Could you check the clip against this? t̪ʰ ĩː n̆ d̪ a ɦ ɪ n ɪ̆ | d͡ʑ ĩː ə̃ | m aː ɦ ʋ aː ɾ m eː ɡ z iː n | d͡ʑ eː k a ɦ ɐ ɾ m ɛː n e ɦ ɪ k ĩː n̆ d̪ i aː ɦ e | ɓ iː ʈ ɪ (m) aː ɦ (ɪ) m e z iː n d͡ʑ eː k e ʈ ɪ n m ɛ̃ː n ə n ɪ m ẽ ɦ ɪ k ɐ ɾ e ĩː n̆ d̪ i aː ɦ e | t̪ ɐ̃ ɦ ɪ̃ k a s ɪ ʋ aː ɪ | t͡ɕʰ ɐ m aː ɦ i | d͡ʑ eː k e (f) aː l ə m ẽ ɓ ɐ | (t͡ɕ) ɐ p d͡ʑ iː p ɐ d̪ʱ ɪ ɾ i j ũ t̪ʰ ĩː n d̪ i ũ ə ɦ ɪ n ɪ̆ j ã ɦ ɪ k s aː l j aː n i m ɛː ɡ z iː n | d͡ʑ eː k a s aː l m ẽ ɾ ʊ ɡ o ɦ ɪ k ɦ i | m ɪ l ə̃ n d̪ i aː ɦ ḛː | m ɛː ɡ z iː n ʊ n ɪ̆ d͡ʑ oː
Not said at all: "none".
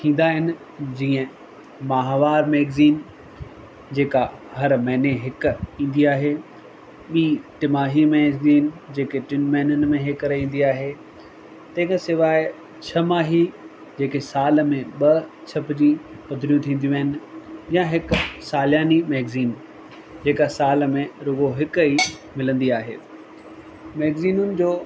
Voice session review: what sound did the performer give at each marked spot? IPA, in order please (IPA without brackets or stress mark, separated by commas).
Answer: m, i, s, t͡ɕʰ